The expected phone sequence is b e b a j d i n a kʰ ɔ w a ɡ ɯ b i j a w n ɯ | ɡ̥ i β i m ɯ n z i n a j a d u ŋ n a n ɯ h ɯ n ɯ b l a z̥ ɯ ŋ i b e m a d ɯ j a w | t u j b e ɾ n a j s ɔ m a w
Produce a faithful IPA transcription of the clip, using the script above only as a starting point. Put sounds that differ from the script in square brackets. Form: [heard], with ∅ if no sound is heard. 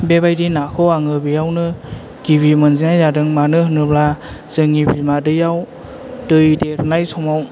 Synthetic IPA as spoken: b e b a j d i n a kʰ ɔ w a [ŋ] ɯ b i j a w n ɯ | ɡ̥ i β i m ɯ n z i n a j a d [ɯ] ŋ [m] a n ɯ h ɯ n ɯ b l a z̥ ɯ ŋ i b [i] m a d ɯ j a w | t [ɯ] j [d] e ɾ n a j s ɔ m a w

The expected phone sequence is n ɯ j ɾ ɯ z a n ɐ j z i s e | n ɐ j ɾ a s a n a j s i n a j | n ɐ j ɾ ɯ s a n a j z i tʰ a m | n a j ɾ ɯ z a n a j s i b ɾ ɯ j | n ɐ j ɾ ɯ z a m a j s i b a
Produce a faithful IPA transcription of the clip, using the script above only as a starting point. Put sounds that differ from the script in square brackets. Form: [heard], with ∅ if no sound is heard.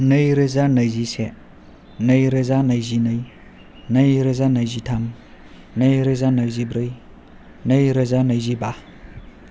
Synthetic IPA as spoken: n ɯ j ɾ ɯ z a n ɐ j z i s e | n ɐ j ɾ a [z] a n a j [z] i n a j | n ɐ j ɾ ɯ [z] a n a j z i tʰ a m | n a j ɾ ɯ z a n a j [z] i b ɾ ɯ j | n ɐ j ɾ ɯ z a [n] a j [z] i b a

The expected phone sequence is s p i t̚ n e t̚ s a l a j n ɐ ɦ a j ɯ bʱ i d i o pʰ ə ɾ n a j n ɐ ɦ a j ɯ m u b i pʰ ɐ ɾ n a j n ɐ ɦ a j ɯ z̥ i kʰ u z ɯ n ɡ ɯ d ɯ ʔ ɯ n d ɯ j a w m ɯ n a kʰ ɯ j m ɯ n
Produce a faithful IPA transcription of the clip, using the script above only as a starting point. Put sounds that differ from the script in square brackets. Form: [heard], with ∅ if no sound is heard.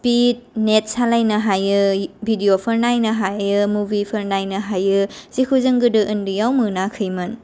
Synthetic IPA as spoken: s p i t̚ n e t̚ s a l a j n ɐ ɦ a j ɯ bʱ i d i o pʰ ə ɾ n a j n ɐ ɦ a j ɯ m u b i pʰ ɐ ɾ n a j n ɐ ɦ a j ɯ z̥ i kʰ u z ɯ [ŋ] ɡ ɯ d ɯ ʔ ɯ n d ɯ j a w m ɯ n a kʰ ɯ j m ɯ n

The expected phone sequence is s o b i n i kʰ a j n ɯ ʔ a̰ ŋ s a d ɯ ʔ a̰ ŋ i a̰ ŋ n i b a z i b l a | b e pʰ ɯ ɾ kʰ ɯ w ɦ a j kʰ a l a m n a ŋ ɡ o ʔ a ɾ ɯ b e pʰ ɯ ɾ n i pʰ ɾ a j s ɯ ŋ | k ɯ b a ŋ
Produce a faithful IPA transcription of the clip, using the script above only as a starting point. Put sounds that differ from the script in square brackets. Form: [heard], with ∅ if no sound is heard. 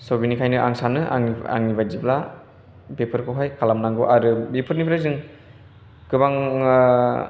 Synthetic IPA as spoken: s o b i n i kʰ a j n ɯ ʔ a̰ ŋ s a [n] ɯ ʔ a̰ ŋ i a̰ ŋ n i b a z i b l a | b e pʰ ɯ ɾ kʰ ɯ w ɦ a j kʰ a l a m n a ŋ ɡ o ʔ a ɾ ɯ b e pʰ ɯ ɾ n i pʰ ɾ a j [z] ɯ ŋ | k ɯ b a ŋ

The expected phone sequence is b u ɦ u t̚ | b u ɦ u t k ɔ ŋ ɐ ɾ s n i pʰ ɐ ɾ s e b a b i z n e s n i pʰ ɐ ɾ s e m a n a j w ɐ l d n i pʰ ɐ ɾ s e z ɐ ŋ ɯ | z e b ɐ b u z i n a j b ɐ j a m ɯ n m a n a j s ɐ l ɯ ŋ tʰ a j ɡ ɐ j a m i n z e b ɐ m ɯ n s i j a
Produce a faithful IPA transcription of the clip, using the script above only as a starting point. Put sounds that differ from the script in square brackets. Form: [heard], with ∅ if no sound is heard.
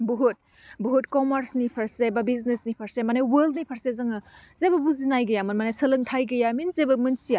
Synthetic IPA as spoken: b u ɦ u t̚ | b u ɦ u t k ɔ [m] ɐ ɾ s n i pʰ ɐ ɾ s e b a b i z n e s n i pʰ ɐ ɾ s e m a n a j w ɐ l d n i pʰ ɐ ɾ s e z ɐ ŋ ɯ | z e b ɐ b u z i n a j [ɡ] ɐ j a m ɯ n m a n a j s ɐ l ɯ ŋ tʰ a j ɡ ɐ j a m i n z e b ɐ m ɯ n s i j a

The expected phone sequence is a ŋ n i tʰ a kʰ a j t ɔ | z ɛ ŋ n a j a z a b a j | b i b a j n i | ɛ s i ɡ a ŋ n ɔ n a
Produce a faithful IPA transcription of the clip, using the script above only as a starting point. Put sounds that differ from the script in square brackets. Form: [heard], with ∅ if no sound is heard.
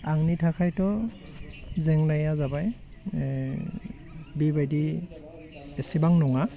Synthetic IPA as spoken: a ŋ n i tʰ a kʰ a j t ɔ | z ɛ ŋ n a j a z a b a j | b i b a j [d] i | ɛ s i [b] a ŋ n ɔ [ŋ] a

